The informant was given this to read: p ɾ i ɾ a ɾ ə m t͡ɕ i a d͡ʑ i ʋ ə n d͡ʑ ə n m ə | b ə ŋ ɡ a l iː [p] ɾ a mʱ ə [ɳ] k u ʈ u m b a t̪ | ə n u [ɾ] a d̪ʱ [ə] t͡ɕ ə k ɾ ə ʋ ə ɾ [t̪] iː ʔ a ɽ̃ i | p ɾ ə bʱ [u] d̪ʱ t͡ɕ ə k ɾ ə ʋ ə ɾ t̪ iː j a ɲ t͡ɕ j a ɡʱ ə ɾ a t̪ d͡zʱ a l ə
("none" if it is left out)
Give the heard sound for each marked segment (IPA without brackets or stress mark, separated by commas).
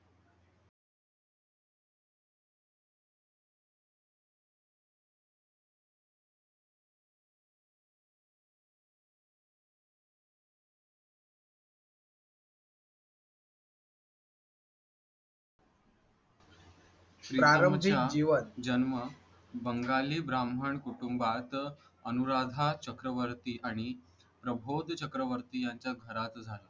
b, ɳ, ɾ, a, t̪, o